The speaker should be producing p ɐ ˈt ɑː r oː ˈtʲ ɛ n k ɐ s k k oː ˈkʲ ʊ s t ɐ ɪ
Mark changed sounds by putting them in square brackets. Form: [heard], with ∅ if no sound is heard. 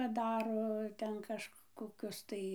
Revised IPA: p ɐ [ˈd] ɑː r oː ˈtʲ ɛ n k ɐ [ʃ] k k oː ˈkʲ ʊ s t ɐ ɪ